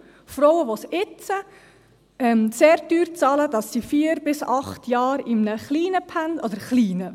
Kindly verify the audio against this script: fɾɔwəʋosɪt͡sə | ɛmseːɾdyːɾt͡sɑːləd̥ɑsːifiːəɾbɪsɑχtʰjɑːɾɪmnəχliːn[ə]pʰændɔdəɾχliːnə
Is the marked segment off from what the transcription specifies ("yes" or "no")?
no